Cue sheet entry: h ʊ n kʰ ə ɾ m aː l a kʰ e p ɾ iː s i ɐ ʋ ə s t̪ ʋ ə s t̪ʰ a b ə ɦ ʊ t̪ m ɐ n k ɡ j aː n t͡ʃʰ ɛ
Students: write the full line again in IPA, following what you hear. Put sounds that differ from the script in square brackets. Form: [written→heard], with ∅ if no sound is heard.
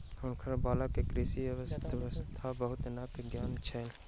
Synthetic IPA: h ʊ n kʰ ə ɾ [m→b] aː l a [kʰ→k] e [p→k] ɾ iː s i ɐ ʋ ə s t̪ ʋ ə s t̪ʰ a b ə ɦ ʊ t̪ [m→n] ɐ [n→∅] k ɡ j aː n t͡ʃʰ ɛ

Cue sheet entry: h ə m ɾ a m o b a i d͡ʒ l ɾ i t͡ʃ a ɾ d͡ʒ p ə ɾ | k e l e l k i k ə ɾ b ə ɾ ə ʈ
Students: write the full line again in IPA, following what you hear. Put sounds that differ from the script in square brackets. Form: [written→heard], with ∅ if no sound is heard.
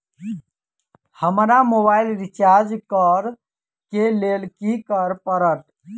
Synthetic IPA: h ə m ɾ a m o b a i [d͡ʒ→∅] l ɾ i t͡ʃ a ɾ d͡ʒ [p→k] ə ɾ | k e l e l k i k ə ɾ [b→p] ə ɾ ə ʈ

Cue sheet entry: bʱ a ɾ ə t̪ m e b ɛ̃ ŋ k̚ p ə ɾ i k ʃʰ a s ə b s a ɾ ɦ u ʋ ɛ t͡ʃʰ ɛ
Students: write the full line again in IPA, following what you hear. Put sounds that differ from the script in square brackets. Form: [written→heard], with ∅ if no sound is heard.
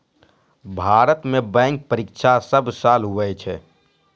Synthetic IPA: bʱ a ɾ ə t̪ m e b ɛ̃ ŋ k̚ p ə ɾ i k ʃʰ a s ə b s a [ɾ→l] ɦ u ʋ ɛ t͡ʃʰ ɛ

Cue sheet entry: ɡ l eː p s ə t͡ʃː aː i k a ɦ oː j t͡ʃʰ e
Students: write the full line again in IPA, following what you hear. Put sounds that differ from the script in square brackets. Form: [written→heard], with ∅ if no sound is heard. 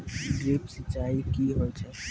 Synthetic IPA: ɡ [l→ɾ] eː p s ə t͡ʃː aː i k [a→i] ɦ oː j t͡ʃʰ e

